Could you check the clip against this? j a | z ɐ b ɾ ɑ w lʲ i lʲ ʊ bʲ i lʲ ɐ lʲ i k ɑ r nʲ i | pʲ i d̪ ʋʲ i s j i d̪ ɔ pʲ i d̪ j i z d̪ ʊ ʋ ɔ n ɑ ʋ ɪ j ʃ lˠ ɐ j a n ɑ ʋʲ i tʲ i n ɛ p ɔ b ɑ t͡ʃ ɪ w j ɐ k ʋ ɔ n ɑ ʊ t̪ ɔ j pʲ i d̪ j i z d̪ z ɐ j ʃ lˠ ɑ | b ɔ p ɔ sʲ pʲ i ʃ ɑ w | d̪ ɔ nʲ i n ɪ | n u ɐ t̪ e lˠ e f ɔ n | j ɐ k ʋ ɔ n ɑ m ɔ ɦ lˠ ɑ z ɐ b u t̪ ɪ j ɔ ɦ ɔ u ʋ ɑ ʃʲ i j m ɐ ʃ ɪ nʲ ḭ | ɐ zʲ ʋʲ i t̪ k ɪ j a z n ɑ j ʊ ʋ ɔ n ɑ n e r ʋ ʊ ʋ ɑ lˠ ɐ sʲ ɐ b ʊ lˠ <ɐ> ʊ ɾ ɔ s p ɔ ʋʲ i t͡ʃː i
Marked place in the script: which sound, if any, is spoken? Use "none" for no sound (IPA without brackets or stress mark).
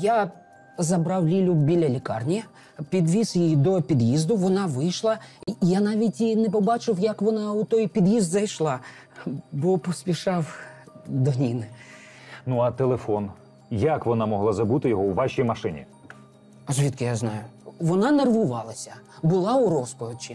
ɑ